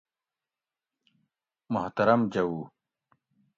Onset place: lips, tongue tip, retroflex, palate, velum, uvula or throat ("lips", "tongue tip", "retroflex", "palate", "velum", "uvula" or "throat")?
lips